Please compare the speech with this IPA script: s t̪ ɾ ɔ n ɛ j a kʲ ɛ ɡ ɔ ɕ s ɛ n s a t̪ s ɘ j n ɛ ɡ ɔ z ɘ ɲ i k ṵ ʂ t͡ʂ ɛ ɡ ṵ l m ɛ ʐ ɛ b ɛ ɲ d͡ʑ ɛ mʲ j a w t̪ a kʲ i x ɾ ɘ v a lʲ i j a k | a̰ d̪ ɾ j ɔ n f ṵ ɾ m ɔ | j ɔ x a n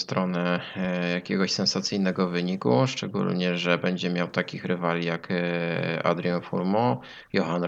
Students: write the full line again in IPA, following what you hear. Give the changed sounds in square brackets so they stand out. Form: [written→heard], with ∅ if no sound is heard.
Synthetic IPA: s t̪ ɾ ɔ n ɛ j a kʲ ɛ ɡ ɔ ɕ s ɛ n s a t̪ s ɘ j n ɛ ɡ ɔ [z→v] ɘ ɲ i k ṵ ʂ t͡ʂ ɛ ɡ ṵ l [m→ɲ] ɛ ʐ ɛ b ɛ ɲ d͡ʑ ɛ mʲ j a w t̪ a kʲ i x ɾ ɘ v a lʲ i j a k | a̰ d̪ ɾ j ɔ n f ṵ ɾ m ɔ | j ɔ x a n